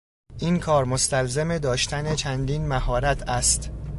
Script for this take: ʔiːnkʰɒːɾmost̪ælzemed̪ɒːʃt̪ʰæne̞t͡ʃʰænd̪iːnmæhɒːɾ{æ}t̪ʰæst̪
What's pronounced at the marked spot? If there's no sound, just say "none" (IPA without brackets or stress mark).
æ